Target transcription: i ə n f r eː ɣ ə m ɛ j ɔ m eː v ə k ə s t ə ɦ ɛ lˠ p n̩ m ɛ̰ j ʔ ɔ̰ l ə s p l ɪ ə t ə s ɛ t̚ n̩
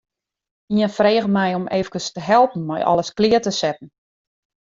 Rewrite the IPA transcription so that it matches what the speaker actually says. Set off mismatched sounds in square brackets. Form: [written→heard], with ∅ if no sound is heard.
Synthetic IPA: i ə n f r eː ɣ ə m ɛ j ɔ m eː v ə k ə s t ə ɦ ɛ lˠ p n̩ m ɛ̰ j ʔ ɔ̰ l ə s [p→k] l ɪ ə t ə s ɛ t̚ n̩